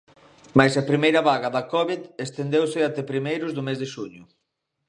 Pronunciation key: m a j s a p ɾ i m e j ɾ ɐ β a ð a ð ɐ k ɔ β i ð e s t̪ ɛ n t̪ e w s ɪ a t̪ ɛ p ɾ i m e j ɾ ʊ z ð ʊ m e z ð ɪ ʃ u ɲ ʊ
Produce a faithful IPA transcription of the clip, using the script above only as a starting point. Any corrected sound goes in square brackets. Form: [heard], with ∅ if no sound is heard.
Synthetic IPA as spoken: m a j s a p ɾ i m e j ɾ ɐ β a [ɣ] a ð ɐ k ɔ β i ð e s t̪ [e] n [d̪] e w s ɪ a t̪ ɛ p ɾ i m e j ɾ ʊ z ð ʊ m e z ð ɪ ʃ u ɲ ʊ